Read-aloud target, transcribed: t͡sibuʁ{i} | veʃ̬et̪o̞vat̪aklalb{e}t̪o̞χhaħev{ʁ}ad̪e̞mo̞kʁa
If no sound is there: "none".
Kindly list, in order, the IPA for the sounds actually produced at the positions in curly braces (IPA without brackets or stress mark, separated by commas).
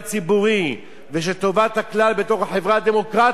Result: i, e, ʁ